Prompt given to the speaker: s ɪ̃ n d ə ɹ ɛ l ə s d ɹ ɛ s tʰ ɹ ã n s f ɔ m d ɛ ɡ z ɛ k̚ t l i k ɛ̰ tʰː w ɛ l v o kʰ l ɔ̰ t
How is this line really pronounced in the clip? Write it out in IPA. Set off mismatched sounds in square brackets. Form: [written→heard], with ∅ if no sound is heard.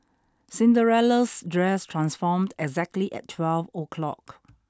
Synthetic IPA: s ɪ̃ n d ə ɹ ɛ l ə s d ɹ ɛ s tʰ ɹ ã n s f ɔ m d ɛ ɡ z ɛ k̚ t l i [k→ʔ] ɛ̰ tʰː w ɛ l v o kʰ l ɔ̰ [t→k]

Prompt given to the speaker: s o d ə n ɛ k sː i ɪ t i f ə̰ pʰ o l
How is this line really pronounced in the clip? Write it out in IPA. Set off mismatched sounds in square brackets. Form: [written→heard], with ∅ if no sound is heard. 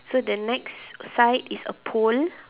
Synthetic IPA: s o d ə n ɛ k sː [i→a] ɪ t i [f→s] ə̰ pʰ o l

